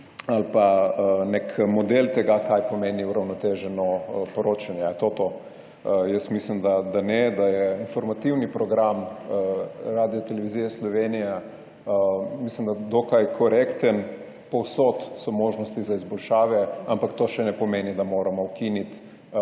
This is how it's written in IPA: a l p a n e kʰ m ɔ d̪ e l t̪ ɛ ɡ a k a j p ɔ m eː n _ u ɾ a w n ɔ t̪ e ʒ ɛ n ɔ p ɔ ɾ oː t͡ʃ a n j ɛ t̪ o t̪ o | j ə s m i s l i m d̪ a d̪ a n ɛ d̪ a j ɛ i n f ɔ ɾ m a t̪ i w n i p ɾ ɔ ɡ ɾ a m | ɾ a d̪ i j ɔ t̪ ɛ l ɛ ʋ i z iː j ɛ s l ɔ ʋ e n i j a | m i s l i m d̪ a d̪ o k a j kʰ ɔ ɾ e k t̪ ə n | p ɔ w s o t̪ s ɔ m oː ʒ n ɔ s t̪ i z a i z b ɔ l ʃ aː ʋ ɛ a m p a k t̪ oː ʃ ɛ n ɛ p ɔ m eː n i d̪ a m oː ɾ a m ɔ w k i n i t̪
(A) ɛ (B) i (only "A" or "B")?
B